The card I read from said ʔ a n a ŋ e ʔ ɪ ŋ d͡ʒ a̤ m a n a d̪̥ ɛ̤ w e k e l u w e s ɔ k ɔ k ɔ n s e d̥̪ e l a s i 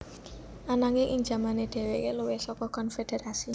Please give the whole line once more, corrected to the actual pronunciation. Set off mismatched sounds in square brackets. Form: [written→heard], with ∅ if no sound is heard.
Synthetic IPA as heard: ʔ a n a ŋ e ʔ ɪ ŋ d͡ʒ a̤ m a n [a→e] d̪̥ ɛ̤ w e k e l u w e s ɔ k ɔ k ɔ n [s→f] e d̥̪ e [l→ɾ] a s i